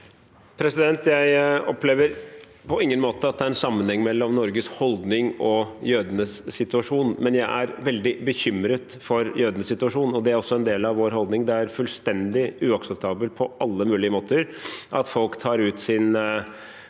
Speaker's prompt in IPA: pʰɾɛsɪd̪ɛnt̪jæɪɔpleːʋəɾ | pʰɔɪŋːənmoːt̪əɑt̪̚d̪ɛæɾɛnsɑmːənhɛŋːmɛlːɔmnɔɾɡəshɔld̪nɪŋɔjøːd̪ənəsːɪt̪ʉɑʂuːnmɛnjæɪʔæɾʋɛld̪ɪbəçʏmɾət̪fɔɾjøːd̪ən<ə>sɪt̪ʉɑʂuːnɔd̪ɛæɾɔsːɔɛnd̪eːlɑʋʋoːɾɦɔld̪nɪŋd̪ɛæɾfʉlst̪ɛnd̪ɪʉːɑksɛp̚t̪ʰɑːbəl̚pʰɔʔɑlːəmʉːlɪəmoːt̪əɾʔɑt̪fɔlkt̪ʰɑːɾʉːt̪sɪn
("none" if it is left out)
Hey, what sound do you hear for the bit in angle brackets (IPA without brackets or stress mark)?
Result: ə